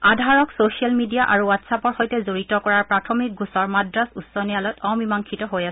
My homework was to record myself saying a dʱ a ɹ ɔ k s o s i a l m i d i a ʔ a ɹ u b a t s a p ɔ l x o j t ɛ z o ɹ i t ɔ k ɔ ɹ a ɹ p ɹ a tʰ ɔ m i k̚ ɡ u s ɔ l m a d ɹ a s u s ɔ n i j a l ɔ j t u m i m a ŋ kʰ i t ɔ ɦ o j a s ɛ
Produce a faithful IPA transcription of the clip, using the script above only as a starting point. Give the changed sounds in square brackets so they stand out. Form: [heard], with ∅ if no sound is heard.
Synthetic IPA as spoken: a dʱ a ɹ ɔ k s o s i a l m i d i a ʔ a ɹ u [w] a t s a p ɔ [ɹ] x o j t ɛ z o ɹ i t ɔ k ɔ ɹ a ɹ p ɹ a tʰ ɔ m i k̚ ɡ u s ɔ [ɹ] m a d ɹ a s u s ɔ n i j a l ɔ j t [ɔ] m i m a ŋ kʰ i t ɔ ɦ o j a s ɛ